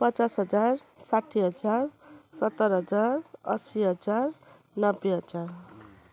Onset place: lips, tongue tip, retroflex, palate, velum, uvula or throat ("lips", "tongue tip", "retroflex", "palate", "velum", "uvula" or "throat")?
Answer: lips